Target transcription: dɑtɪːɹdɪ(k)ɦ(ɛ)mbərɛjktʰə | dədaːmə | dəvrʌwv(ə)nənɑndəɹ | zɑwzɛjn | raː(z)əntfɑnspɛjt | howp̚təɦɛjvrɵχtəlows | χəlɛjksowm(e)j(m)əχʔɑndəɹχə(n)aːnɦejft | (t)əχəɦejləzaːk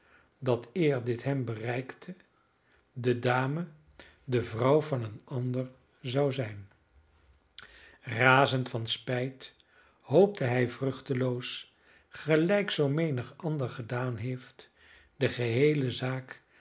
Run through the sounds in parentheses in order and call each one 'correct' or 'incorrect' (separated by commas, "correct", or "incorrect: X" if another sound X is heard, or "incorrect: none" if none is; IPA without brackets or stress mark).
incorrect: t, correct, incorrect: ɑ, correct, correct, incorrect: n, incorrect: d, incorrect: d